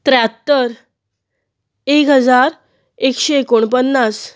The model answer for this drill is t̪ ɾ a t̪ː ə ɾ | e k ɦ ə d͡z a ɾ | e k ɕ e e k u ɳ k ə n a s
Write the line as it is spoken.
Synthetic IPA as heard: t̪ ɾ a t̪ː ə ɾ | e k ɦ ə d͡z a ɾ | e k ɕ e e k o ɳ p ə nː a s